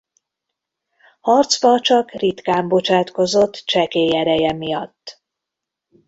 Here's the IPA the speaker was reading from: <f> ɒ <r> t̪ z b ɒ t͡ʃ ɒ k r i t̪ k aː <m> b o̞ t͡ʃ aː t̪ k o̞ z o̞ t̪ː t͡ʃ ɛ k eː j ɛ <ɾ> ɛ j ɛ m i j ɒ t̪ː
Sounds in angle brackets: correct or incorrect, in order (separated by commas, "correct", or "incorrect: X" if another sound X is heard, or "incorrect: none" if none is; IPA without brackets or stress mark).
incorrect: h, correct, correct, correct